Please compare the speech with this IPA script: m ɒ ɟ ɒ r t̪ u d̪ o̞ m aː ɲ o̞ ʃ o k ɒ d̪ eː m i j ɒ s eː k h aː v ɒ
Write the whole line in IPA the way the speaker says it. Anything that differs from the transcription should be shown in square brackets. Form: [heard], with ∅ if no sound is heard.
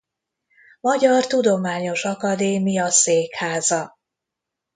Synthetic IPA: m ɒ ɟ ɒ r t̪ u d̪ o̞ m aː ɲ o̞ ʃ [ɒ] k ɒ d̪ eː m i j ɒ s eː k h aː [z] ɒ